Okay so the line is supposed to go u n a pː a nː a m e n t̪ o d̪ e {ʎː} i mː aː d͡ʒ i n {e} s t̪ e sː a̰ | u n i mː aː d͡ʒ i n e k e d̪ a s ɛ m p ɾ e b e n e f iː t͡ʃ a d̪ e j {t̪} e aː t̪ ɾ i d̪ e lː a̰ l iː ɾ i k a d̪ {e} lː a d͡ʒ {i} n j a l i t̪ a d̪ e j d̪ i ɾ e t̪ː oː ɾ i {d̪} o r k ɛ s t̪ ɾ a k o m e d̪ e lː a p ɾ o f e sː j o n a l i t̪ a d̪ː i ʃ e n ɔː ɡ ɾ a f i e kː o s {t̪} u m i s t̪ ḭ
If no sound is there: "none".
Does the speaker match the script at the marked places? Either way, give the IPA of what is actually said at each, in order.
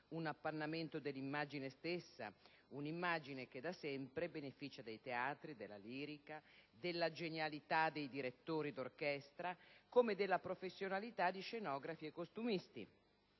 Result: lː, e, t̪, e, e, d̪, t̪

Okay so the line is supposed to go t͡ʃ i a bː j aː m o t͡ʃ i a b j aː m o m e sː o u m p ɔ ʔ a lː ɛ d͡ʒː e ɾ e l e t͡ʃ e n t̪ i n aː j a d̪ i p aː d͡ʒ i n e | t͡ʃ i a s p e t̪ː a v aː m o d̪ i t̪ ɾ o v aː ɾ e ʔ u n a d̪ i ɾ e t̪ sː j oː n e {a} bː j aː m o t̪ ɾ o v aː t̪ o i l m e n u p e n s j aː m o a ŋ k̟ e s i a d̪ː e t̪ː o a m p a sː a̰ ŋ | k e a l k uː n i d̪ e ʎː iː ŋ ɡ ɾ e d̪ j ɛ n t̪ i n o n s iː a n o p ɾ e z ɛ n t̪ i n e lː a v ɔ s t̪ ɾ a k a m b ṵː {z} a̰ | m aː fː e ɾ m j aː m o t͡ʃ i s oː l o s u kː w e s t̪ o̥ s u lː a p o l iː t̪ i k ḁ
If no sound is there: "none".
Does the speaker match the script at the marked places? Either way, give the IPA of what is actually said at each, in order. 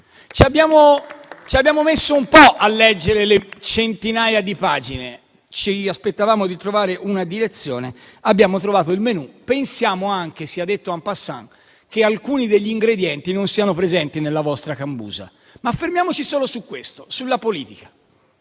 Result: a, z

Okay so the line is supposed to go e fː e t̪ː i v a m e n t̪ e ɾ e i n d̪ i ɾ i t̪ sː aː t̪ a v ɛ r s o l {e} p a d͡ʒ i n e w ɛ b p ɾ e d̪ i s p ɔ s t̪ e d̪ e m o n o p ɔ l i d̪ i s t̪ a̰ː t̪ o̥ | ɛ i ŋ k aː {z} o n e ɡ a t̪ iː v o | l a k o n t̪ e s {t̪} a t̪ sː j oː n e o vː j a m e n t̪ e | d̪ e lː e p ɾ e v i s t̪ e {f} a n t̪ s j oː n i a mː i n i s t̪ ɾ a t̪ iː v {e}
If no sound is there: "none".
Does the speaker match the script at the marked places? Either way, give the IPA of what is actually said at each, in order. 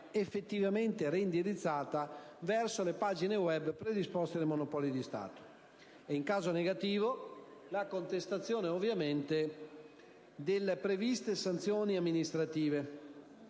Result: e, z, t̪, s, e

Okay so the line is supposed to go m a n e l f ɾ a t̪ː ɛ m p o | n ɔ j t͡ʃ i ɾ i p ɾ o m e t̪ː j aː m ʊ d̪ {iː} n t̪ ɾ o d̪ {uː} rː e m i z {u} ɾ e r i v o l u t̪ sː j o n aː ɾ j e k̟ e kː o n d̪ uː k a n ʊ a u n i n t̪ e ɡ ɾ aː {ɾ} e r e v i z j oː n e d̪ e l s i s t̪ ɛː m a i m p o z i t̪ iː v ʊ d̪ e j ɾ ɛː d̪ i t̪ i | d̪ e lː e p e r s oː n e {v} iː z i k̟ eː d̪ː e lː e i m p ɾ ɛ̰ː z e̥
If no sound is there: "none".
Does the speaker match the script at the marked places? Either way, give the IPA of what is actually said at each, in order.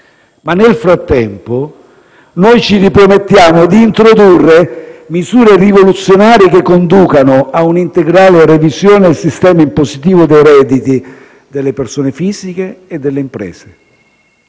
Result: iː, u, uː, l, f

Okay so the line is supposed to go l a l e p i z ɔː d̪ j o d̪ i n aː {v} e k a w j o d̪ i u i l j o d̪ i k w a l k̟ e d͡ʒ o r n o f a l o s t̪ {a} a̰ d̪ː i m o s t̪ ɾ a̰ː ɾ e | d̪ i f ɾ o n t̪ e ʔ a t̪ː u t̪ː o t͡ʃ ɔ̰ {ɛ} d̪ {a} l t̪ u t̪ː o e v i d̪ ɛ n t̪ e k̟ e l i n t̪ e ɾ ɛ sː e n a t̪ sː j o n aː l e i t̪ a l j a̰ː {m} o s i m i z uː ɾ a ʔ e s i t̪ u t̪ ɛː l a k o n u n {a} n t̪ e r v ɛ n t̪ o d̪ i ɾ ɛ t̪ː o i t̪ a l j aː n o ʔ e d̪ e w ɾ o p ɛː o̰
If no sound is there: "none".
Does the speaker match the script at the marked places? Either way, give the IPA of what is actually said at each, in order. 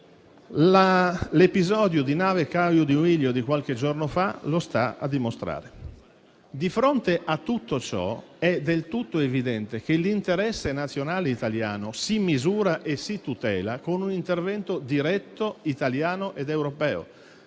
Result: v, a, ɛ, e, n, i

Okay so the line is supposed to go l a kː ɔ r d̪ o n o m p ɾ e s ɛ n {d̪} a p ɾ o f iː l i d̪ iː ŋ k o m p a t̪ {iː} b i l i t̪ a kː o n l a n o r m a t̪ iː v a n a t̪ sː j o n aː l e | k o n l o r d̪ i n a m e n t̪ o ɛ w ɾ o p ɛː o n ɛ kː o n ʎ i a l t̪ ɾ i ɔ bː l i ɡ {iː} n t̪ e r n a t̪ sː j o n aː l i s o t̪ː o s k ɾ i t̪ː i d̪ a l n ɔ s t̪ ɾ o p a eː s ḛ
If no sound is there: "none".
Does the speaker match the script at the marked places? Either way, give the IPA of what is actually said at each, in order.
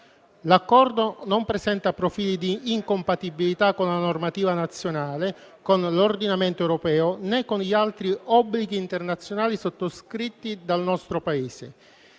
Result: t̪, i, iː

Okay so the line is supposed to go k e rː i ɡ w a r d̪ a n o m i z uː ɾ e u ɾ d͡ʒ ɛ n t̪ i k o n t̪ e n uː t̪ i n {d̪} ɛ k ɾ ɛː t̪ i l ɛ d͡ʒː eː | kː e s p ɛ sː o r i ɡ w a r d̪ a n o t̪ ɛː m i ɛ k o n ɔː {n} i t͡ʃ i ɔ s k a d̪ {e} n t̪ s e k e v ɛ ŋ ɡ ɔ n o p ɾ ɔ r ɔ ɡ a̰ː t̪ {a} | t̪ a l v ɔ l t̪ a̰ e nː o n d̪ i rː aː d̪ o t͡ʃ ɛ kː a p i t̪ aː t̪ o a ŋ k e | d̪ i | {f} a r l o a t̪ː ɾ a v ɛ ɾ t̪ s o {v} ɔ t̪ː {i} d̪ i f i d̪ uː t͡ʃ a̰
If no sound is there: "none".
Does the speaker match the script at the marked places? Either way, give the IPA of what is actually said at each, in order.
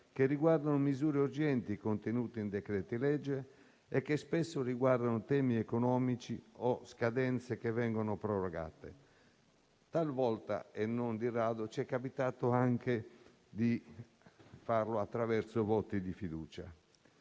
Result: d̪, m, ɛ, e, f, v, i

